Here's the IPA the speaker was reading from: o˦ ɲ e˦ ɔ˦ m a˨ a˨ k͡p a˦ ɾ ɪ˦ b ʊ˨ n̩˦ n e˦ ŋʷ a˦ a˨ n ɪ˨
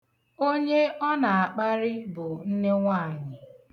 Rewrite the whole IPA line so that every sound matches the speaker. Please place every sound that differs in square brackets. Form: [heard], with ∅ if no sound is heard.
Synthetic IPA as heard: o˦ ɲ e˦ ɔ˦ [n] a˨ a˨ k͡p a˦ ɾ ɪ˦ b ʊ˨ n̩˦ n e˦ ŋʷ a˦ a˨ [ɲ] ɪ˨

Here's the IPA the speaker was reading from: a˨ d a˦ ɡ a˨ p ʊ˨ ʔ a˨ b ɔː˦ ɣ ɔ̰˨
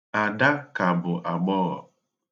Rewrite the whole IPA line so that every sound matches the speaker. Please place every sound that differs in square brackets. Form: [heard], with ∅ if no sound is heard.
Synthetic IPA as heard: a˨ d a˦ [k] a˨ [b] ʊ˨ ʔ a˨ [ɡ͡b] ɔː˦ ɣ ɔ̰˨

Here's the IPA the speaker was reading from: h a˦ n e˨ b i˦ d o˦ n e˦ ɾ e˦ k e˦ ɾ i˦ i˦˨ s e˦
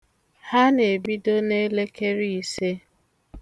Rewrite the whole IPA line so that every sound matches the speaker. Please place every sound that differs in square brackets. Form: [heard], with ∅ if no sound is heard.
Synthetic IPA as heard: h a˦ n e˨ b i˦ d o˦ n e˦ [l] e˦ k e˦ ɾ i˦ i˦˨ s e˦

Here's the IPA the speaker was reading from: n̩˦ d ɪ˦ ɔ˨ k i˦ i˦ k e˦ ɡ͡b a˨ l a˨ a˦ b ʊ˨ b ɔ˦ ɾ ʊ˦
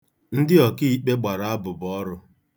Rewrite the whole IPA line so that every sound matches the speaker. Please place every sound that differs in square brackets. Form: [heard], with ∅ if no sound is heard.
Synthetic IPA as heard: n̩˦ d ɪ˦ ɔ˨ k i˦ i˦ [k͡p] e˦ ɡ͡b a˨ [ɾ] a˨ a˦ b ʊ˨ b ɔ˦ ɾ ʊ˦

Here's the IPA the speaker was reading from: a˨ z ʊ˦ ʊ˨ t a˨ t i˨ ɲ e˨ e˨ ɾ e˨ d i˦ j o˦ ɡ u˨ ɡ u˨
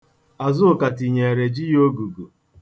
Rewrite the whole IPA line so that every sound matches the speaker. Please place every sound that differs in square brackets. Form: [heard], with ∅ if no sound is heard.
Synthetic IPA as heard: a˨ z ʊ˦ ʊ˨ [k] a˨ t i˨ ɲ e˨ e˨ ɾ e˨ [d͡ʒ] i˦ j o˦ ɡ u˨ ɡ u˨

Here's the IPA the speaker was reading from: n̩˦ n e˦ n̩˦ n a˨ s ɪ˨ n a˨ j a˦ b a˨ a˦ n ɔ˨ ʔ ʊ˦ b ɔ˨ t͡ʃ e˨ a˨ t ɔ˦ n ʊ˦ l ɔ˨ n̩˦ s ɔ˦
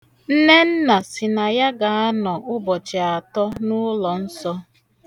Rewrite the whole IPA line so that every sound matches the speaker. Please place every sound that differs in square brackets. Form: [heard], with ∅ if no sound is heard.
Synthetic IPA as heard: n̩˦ n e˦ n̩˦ n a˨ s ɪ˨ n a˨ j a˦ [ɡ] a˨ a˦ n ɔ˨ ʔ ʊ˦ b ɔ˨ t͡ʃ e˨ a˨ t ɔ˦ n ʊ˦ l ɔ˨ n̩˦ s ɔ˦

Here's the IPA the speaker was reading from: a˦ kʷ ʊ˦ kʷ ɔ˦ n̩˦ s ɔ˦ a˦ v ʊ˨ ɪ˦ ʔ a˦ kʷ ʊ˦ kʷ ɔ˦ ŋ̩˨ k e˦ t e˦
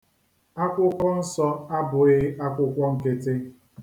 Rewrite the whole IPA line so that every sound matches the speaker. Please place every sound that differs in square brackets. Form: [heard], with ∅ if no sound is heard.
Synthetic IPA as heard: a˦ kʷ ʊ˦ kʷ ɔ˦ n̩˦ s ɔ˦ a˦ [b] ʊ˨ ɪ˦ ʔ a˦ kʷ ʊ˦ kʷ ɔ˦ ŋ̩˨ k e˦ t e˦

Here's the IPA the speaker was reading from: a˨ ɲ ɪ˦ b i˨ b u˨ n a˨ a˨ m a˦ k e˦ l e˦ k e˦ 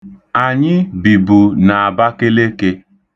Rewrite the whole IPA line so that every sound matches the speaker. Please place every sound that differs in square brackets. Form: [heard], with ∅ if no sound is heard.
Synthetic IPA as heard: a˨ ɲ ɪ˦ b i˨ b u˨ n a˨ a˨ [b] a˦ k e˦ l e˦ k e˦

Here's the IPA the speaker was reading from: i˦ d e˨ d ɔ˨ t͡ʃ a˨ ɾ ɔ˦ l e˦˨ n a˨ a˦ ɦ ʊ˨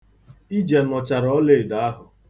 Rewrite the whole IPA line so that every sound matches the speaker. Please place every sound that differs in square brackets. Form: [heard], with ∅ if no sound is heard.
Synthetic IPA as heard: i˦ [d͡ʒ] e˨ [n] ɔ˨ t͡ʃ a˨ ɾ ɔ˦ l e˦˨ [d] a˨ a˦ ɦ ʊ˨

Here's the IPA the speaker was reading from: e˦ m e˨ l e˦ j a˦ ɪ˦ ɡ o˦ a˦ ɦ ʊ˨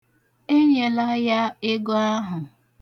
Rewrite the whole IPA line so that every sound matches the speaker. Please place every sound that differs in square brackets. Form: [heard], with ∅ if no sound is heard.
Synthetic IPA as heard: e˦ [ɲ] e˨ l [a˦] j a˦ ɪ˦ ɡ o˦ a˦ ɦ ʊ˨

